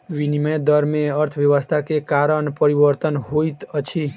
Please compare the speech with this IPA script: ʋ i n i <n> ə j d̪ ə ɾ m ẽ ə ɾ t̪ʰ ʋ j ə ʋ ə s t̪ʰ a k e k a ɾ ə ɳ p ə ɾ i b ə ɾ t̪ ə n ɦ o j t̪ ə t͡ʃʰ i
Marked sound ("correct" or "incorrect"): incorrect